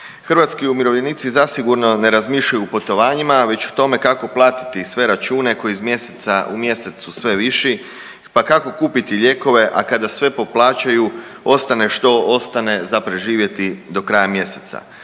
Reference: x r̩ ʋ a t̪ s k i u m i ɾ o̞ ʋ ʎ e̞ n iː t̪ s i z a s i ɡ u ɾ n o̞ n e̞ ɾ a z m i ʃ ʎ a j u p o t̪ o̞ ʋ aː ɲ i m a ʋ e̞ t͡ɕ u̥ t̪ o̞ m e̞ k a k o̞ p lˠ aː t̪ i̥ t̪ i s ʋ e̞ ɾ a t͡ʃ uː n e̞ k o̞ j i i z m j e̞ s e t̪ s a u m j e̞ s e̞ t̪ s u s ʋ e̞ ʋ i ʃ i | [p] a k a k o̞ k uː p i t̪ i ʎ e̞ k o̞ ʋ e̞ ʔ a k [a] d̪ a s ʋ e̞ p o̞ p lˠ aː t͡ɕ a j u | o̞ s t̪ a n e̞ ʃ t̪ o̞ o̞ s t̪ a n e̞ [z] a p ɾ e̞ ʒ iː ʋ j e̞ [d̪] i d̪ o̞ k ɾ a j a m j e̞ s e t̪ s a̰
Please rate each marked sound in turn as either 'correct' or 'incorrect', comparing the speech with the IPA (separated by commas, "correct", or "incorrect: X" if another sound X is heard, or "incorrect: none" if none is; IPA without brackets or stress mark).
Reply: correct, correct, correct, incorrect: t̪